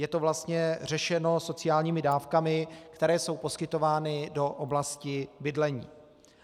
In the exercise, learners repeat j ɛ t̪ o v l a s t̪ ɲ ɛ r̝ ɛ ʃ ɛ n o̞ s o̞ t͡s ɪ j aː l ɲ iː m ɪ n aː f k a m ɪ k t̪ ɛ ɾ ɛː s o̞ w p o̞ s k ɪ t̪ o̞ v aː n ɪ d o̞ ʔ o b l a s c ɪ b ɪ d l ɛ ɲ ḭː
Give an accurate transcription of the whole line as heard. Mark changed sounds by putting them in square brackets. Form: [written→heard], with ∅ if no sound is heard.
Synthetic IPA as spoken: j ɛ t̪ o v l a s t̪ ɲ ɛ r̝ ɛ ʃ ɛ n o̞ s o̞ t͡s ɪ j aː l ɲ iː m ɪ [n→d] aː f k a m ɪ k t̪ ɛ ɾ ɛː s o̞ w p o̞ s k ɪ t̪ o̞ v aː n ɪ d o̞ ʔ o b l a s c ɪ b ɪ d l ɛ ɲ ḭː